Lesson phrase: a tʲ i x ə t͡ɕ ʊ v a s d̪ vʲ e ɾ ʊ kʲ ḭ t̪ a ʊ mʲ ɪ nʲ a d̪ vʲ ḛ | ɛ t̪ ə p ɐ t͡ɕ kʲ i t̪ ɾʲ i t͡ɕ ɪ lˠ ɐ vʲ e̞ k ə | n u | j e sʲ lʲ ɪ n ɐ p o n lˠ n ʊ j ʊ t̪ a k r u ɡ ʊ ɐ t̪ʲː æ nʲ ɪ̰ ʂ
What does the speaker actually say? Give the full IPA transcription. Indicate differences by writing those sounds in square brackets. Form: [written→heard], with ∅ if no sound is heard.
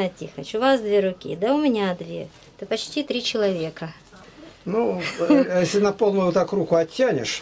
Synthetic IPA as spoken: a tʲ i x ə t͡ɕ ʊ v a s d̪ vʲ e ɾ ʊ kʲ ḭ [t̪→d̪] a ʊ mʲ ɪ nʲ a d̪ vʲ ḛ | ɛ t̪ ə p ɐ t͡ɕ [kʲ→tʲ] i t̪ ɾʲ i t͡ɕ ɪ lˠ ɐ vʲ e̞ k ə | n u | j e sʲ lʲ ɪ n ɐ p o [n→∅] lˠ n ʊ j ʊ t̪ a k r u [ɡ→k] ʊ ɐ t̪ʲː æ nʲ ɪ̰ ʂ